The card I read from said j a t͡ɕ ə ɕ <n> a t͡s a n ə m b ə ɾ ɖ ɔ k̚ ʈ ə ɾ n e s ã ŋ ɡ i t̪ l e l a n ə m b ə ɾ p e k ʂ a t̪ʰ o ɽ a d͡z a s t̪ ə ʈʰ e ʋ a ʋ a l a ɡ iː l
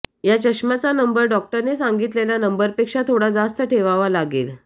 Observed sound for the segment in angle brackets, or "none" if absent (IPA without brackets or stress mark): m